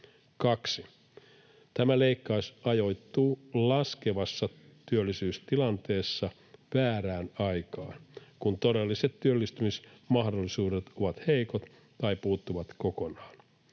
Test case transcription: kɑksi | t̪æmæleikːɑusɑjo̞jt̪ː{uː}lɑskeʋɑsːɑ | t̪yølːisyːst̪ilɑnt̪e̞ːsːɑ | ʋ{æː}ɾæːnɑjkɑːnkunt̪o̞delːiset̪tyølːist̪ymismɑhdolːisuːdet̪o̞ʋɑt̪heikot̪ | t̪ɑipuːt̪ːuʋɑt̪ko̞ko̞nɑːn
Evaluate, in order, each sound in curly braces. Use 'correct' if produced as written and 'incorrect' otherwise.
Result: correct, correct

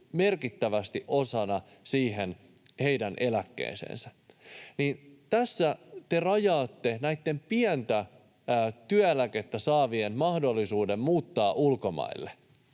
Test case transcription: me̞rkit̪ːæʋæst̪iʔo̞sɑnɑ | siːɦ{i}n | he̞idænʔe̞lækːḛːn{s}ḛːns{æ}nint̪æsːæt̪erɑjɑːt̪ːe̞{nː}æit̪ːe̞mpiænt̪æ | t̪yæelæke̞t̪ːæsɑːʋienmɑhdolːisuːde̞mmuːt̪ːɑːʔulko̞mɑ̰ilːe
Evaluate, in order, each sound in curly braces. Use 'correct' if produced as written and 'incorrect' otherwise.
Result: incorrect, correct, correct, incorrect

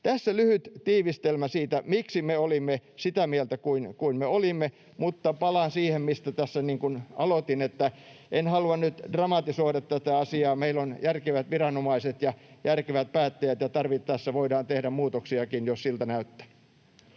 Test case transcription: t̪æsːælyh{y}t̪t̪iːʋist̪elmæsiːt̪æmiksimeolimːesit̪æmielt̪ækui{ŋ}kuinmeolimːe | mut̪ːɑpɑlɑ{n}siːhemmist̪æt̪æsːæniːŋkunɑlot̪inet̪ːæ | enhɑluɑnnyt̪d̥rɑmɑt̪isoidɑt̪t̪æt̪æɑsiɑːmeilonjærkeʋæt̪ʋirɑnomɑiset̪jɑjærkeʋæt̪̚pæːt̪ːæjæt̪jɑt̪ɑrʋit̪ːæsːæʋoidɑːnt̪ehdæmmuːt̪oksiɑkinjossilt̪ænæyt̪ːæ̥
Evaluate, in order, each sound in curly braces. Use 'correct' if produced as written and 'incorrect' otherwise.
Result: correct, incorrect, correct

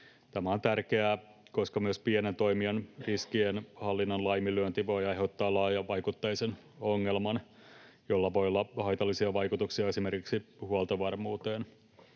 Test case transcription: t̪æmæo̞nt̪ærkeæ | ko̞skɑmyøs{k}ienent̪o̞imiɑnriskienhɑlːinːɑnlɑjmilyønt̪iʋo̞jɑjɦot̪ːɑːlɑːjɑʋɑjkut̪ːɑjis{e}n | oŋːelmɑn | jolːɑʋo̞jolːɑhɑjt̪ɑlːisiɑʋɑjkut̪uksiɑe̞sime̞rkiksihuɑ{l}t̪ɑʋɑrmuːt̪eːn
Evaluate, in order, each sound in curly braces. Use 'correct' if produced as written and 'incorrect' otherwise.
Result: incorrect, correct, correct

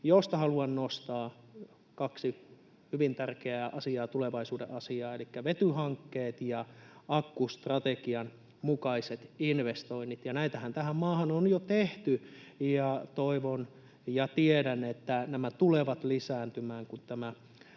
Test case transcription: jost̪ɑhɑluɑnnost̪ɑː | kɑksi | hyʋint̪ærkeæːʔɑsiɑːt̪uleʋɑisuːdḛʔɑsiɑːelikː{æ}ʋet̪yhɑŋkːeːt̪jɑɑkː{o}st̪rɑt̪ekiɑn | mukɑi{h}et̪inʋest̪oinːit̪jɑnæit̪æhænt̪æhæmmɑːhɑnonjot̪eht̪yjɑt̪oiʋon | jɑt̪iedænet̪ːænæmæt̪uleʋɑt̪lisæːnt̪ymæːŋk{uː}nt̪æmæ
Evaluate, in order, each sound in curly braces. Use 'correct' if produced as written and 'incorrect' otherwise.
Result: correct, incorrect, incorrect, incorrect

